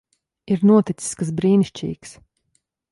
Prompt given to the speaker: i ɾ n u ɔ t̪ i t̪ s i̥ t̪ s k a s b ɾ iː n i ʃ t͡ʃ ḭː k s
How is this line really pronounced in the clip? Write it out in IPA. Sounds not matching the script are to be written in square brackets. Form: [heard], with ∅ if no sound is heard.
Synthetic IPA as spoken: i ɾ n u ɔ t̪ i t̪ s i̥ [∅] s k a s b ɾ iː n i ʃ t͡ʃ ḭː k s